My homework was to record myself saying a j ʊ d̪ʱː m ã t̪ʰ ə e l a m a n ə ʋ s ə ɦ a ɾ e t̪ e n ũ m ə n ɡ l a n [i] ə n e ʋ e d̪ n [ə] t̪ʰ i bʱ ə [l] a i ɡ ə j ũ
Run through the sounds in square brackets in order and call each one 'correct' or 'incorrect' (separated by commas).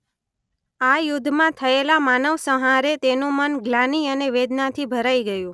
correct, incorrect, incorrect